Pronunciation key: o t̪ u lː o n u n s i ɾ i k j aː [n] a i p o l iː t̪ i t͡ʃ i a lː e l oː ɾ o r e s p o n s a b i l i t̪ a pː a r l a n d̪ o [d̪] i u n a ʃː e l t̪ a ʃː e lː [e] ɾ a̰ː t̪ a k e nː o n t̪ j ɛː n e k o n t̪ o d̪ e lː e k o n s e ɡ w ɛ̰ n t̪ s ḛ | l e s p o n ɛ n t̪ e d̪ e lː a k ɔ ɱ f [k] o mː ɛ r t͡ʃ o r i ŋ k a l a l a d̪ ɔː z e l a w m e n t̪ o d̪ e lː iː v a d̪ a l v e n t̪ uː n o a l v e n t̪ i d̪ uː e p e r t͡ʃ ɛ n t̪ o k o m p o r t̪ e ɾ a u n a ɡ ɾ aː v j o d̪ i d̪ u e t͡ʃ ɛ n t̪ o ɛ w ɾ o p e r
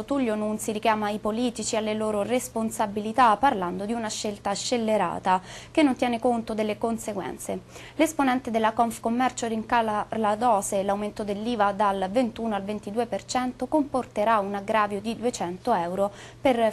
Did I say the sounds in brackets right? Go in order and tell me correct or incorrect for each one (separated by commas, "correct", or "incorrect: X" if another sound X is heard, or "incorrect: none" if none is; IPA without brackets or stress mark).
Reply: incorrect: m, correct, correct, correct